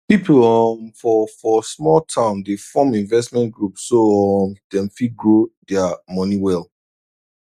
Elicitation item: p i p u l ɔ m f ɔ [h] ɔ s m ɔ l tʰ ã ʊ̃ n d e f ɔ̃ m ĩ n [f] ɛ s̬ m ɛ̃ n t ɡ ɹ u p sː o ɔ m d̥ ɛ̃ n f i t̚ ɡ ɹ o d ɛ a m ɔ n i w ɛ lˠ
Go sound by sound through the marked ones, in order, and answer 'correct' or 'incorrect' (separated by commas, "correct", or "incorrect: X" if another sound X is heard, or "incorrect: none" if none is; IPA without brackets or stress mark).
incorrect: f, incorrect: v